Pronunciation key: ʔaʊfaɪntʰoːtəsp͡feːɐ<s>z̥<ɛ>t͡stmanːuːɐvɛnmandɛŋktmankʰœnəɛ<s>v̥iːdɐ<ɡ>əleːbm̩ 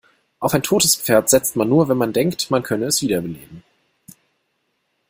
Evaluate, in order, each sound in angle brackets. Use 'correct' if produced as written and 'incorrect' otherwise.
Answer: incorrect: t, correct, correct, incorrect: b

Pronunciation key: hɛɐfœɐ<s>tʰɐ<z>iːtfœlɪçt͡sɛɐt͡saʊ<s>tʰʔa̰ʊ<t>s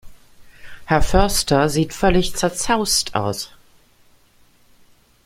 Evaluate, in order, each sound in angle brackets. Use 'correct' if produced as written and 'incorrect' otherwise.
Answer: correct, correct, correct, incorrect: none

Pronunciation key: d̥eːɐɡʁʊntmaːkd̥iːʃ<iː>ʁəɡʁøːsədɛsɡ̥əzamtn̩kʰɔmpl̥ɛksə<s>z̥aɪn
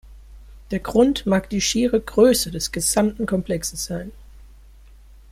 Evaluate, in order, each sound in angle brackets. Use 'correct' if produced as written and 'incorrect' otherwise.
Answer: correct, correct

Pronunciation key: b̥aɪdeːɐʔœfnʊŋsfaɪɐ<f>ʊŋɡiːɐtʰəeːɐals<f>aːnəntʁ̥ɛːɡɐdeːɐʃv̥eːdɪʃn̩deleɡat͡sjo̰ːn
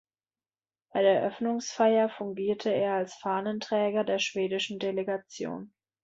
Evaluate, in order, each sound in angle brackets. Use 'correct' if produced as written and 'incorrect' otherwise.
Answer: correct, correct

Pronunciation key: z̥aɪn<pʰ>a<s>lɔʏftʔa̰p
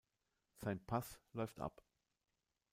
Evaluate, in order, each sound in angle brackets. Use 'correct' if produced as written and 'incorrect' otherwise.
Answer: correct, correct

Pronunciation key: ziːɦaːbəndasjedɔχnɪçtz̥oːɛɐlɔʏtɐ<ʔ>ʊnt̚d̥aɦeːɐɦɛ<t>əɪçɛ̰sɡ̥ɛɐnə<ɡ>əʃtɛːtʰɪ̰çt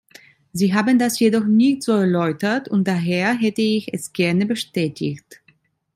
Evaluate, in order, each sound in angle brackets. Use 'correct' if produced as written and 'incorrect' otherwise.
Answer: incorrect: t, correct, incorrect: b

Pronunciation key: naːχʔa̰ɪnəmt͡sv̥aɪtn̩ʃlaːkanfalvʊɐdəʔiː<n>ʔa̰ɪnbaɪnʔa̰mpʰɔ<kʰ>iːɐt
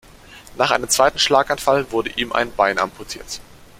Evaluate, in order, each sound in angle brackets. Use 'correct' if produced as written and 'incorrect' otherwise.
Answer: incorrect: m, incorrect: tʰ

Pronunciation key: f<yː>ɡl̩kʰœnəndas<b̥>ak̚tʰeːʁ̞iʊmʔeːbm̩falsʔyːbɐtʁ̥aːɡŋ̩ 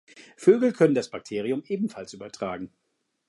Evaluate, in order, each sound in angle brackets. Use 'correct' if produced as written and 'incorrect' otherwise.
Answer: incorrect: øː, correct

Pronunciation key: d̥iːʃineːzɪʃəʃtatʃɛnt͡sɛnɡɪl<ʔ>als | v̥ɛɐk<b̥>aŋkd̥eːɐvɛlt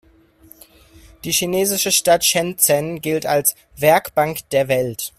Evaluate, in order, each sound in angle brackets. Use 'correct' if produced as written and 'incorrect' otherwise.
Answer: incorrect: t, correct

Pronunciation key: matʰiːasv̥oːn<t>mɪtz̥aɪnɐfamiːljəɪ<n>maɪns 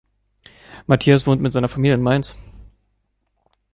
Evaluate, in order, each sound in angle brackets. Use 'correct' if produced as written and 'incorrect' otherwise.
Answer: correct, correct

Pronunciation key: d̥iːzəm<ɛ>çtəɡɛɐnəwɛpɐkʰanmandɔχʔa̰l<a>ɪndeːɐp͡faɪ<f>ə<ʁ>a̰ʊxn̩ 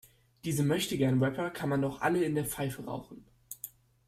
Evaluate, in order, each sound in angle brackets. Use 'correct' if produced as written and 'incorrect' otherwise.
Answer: incorrect: œ, incorrect: ə, correct, correct

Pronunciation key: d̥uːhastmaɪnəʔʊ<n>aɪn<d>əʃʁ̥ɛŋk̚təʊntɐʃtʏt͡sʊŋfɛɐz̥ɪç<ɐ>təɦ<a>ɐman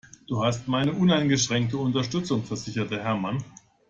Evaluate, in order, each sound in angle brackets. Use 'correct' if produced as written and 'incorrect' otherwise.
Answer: correct, incorrect: ɡ, correct, incorrect: ɛ

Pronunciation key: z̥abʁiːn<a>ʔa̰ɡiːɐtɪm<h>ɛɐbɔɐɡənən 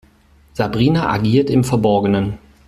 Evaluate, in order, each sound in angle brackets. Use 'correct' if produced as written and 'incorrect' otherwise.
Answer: correct, incorrect: f

